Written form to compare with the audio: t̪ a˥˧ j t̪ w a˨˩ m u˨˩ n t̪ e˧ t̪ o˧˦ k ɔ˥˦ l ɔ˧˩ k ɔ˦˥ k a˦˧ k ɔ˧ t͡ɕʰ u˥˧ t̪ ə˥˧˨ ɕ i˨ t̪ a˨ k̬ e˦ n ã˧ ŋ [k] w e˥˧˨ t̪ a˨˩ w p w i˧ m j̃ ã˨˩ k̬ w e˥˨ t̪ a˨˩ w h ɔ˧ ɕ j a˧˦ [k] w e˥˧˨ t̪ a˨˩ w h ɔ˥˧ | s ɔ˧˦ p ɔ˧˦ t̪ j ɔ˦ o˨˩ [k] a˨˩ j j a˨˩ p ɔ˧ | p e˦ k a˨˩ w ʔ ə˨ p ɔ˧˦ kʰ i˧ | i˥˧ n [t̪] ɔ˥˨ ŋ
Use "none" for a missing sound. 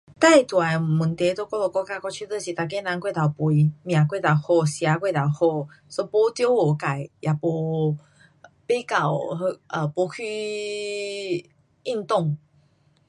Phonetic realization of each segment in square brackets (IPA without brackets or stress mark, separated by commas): k, k, k, t̪